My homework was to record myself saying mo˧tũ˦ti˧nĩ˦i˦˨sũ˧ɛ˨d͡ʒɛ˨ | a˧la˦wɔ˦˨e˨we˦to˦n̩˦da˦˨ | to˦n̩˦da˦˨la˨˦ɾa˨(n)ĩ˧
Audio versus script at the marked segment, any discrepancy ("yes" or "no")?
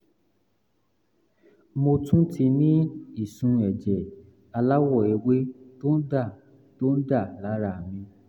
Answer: yes